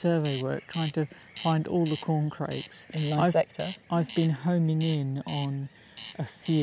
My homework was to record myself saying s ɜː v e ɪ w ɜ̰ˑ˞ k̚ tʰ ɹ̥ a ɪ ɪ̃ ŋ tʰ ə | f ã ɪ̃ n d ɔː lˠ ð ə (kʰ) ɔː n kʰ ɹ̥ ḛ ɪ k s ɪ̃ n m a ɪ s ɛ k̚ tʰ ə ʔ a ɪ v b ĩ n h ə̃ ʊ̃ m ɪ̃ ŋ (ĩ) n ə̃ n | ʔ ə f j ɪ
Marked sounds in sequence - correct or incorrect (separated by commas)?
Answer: correct, incorrect